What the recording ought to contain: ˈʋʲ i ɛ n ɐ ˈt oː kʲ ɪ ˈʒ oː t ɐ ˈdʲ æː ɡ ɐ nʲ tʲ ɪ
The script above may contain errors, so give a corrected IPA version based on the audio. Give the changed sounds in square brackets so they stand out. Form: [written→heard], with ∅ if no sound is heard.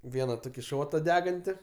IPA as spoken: ˈʋʲ i ɛ n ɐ ˈt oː kʲ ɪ [ˈʒ→ˈʃ] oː t ɐ ˈdʲ æː ɡ ɐ nʲ tʲ ɪ